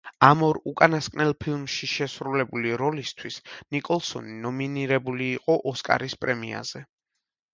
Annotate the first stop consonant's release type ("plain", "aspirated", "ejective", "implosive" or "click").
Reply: ejective